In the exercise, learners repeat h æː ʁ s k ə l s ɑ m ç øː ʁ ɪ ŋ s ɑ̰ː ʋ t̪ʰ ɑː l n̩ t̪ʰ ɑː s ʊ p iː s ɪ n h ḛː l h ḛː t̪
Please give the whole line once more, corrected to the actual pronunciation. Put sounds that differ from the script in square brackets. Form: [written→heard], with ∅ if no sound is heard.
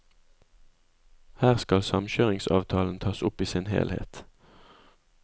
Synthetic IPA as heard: h æː ʁ s k [ə→ɑ] l s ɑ m ç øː ʁ ɪ ŋ s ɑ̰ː ʋ t̪ʰ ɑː l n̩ t̪ʰ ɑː s ʊ p iː s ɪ n h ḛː l h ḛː t̪